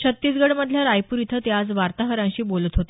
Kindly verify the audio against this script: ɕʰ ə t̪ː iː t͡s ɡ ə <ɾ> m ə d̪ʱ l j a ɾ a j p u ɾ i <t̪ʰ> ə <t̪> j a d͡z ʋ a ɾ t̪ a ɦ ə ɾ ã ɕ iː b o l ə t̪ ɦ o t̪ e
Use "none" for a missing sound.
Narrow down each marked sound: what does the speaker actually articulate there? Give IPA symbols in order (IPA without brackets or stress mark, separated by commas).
ɽ, t̪ʰ, t̪